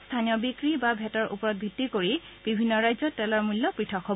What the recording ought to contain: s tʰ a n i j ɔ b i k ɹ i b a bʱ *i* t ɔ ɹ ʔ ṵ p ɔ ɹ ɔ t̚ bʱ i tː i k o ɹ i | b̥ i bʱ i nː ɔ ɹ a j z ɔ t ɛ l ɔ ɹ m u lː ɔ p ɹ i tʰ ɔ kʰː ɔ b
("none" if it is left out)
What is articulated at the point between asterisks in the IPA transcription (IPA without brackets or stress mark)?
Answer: ɛ